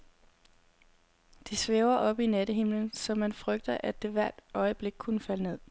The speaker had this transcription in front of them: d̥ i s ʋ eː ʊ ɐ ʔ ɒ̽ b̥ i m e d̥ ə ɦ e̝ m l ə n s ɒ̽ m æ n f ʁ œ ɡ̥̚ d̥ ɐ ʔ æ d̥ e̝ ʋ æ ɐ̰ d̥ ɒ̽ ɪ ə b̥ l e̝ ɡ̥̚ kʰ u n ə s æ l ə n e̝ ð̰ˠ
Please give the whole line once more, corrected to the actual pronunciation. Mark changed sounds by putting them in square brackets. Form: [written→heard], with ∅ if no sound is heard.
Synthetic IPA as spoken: d̥ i s ʋ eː ʊ ɐ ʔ ɒ̽ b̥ i [m→n] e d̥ ə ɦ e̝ m l ə n s ɒ̽ m æ n f ʁ œ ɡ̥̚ d̥ ɐ ʔ æ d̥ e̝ ʋ æ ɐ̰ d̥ ɒ̽ ɪ ə b̥ l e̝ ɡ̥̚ kʰ u n ə [s→f] æ l ə n e̝ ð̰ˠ